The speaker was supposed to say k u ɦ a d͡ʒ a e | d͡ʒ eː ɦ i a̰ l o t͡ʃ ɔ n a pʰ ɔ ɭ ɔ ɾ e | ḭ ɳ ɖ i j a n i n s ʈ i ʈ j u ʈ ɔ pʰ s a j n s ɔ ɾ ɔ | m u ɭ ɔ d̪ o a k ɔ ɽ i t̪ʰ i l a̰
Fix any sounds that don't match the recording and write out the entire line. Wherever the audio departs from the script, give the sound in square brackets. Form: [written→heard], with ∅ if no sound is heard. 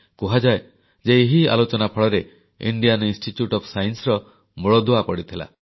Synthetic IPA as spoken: k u ɦ a d͡ʒ a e | d͡ʒ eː ɦ i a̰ l o t͡ʃ ɔ n a pʰ ɔ ɭ ɔ ɾ e | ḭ ɳ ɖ i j a n i n s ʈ i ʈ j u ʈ ɔ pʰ s a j n s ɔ ɾ ɔ | m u ɭ ɔ d̪ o a [k→p] ɔ ɽ i t̪ʰ i l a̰